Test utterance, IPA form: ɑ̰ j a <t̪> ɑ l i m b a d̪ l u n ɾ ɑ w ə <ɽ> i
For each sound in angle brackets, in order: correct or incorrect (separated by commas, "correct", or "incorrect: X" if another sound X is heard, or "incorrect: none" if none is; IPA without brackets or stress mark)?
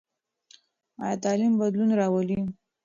correct, incorrect: l